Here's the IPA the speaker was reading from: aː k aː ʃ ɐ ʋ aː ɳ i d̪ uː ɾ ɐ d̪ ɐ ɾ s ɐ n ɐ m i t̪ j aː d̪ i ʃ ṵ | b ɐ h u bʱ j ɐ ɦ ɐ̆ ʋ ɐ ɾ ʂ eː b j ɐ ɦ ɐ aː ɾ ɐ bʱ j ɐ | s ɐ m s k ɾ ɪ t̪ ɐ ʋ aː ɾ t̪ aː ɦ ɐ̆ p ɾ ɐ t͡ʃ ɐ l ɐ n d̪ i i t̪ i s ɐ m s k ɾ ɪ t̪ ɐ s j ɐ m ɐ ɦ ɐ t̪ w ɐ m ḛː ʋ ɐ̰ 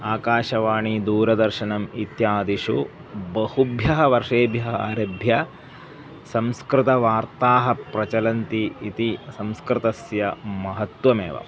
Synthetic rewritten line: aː k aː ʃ ɐ ʋ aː ɳ i d̪ uː ɾ ɐ d̪ ɐ ɾ ʃ ɐ n ɐ m i t̪ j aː d̪ i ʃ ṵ | b ɐ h u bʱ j ɐ ɦ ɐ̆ ʋ ɐ ɾ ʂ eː b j ɐ ɦ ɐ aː ɾ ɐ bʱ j ɐ | s ɐ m s k ɾ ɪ t̪ ɐ ʋ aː ɾ t̪ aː ɦ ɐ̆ p ɾ ɐ t͡ʃ ɐ l ɐ n t̪ i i t̪ i s ɐ m s k ɾ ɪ t̪ ɐ s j ɐ m ɐ ɦ ɐ t̪ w ɐ m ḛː ʋ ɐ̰